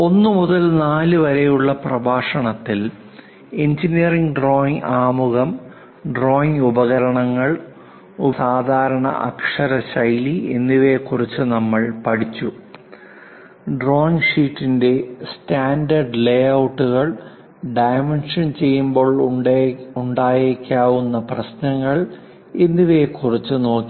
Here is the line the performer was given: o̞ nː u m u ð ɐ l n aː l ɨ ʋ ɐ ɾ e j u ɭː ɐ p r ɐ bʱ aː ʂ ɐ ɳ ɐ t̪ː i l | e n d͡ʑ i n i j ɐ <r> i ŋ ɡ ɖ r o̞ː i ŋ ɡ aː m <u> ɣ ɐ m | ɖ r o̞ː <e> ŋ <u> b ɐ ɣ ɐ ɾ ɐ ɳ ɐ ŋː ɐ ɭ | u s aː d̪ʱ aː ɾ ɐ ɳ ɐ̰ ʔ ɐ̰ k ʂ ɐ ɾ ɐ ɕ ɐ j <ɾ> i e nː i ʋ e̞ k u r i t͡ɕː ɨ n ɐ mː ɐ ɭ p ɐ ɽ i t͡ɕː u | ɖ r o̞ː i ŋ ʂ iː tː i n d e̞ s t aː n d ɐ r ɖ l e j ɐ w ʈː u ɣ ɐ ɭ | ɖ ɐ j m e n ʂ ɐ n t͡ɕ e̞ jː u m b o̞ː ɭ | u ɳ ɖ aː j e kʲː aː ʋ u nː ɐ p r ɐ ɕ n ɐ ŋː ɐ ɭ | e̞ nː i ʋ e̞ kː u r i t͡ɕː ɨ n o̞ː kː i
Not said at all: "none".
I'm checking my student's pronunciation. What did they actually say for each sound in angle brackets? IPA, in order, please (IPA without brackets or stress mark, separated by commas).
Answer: r, u, i, u, l